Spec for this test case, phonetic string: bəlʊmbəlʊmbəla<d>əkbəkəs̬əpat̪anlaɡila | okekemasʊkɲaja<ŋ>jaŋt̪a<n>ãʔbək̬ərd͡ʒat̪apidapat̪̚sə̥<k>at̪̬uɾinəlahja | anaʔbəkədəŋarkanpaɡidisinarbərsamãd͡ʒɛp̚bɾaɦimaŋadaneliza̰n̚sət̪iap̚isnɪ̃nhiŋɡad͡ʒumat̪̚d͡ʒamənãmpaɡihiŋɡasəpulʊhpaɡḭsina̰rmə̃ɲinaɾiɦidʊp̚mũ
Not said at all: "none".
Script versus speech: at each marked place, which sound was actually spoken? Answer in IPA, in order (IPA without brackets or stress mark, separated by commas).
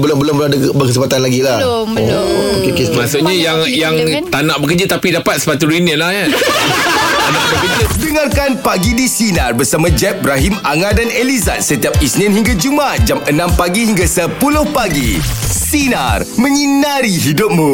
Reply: d, ŋ, n, p